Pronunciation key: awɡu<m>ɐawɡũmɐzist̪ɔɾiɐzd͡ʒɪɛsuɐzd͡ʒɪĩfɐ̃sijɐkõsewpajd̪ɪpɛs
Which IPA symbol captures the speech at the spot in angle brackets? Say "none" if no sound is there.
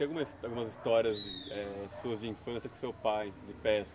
m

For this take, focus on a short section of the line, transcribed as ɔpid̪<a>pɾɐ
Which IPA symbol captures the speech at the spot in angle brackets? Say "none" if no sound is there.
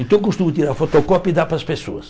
a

